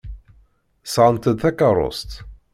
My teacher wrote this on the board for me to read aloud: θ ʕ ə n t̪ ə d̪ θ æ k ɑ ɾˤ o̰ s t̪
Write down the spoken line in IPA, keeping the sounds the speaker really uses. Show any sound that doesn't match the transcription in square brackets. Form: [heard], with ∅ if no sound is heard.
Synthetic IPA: [s] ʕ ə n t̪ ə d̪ θ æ k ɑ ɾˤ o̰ s t̪